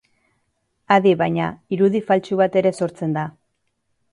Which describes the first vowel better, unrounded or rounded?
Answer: unrounded